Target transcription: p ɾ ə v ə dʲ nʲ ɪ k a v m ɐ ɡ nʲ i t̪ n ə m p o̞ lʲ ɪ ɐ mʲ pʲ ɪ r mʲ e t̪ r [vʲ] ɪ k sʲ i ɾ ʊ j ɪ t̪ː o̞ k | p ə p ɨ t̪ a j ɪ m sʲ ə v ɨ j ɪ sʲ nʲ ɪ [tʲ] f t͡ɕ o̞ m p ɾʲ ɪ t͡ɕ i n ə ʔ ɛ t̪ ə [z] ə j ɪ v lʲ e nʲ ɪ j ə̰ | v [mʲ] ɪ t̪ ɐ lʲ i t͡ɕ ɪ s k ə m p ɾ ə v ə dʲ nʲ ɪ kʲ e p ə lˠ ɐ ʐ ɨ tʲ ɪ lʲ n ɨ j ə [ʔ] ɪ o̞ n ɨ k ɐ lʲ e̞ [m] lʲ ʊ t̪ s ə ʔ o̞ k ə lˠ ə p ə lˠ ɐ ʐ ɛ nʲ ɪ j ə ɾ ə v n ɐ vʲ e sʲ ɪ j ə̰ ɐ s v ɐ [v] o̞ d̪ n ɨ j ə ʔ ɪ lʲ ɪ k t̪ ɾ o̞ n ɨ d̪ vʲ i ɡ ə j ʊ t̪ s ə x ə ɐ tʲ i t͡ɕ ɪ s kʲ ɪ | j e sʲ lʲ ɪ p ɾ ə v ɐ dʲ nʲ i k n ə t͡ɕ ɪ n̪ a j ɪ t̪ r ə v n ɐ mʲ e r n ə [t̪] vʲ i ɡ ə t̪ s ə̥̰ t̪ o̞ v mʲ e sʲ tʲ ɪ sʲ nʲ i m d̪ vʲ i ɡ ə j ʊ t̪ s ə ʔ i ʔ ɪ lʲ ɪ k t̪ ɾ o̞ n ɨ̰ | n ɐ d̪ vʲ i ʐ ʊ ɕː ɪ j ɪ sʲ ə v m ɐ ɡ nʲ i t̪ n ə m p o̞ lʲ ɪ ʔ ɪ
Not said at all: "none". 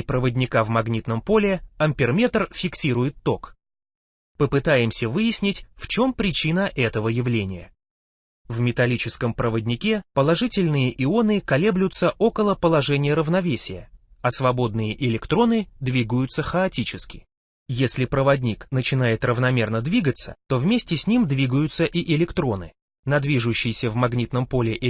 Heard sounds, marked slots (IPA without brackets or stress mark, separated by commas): fʲ, tʲ, v, mʲ, ʔ, b, b, d̪